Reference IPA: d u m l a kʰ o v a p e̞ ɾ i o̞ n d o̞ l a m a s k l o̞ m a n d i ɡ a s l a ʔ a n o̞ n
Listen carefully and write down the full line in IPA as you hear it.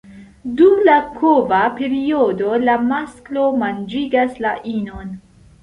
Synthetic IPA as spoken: d u m l a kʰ o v a p e̞ ɾ i o̞ d o̞ l a m a s k l o̞ m a n d͡ʒ i ɡ a s l a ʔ i n o̞ n